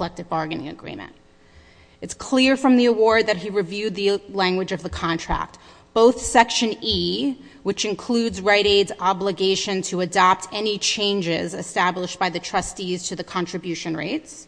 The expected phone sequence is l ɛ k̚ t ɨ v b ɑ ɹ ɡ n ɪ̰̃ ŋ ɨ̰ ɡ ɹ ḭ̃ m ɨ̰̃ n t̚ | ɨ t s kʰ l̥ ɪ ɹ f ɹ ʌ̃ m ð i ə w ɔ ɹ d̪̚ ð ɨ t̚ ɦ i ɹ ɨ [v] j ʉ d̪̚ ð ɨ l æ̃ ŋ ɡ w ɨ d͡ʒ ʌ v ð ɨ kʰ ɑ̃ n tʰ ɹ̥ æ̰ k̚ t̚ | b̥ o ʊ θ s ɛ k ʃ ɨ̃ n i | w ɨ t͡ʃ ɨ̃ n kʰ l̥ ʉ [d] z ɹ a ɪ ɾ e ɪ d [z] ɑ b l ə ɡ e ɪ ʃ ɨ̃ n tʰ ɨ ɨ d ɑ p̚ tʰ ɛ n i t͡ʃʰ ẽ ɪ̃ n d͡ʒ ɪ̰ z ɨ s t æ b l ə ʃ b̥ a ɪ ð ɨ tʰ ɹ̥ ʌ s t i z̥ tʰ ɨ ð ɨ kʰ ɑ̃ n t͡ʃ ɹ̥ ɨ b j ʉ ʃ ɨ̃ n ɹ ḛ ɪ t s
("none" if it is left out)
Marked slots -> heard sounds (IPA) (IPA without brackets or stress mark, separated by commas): v, d, z